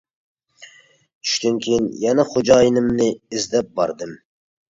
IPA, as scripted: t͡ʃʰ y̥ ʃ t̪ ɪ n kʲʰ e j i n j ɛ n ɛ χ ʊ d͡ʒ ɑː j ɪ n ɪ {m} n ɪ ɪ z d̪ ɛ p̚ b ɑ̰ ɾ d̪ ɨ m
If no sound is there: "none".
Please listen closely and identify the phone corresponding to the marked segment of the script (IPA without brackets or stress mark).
m